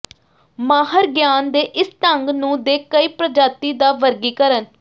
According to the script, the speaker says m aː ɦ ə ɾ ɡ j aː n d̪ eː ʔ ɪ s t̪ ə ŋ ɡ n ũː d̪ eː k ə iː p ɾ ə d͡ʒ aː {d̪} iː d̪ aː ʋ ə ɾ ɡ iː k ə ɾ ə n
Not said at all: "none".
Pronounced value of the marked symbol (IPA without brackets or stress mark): t̪